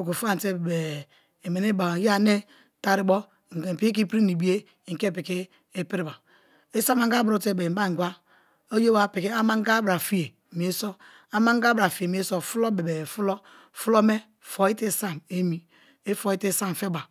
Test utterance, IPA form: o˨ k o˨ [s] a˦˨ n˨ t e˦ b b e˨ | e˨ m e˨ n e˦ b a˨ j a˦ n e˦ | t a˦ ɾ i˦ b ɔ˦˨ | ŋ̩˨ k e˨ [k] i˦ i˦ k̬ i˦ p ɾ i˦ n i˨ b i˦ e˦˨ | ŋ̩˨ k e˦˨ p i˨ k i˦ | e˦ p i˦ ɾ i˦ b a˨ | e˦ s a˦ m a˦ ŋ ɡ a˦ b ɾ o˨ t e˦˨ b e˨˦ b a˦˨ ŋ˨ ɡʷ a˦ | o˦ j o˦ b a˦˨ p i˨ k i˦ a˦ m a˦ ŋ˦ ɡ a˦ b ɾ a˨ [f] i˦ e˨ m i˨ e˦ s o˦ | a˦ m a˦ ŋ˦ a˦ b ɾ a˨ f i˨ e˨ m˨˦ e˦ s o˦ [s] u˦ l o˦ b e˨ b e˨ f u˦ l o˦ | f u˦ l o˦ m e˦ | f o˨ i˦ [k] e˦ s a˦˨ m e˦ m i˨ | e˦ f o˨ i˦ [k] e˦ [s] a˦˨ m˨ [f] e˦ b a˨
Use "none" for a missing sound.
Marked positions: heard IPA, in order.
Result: f, p, f, f, t, t, s, f

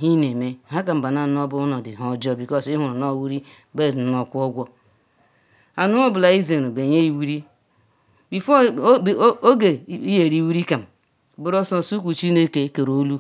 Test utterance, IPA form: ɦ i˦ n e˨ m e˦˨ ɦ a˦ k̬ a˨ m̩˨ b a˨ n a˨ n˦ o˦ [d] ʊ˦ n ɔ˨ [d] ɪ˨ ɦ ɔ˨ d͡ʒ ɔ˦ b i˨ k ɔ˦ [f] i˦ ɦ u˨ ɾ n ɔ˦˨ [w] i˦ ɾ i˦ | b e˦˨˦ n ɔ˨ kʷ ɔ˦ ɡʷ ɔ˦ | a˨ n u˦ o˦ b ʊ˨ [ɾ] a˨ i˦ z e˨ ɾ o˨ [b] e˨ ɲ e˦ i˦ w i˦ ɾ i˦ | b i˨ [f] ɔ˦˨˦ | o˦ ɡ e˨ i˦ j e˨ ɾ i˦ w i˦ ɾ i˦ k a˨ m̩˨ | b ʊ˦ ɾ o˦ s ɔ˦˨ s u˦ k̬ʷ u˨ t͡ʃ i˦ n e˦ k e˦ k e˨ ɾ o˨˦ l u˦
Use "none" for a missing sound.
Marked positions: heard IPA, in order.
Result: b, d, s, w, l, b, f

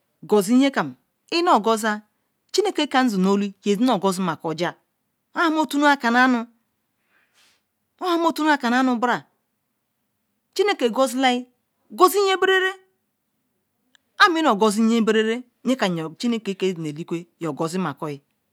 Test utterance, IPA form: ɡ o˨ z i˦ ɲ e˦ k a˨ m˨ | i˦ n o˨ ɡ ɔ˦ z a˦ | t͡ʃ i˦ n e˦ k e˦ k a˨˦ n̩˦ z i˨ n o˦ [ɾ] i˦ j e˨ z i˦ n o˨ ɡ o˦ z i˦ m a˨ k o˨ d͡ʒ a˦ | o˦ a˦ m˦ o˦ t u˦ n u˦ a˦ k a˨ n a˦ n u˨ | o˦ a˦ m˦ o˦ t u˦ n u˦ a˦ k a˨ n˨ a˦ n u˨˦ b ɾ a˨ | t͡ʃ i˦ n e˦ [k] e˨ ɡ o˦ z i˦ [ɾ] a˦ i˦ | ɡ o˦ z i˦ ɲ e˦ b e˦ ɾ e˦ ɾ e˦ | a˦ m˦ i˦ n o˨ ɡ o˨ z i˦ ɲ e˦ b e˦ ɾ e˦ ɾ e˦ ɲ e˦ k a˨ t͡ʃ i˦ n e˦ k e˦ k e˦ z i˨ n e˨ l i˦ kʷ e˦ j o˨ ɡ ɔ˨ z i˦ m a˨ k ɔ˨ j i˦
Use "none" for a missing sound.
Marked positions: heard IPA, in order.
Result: l, k, l

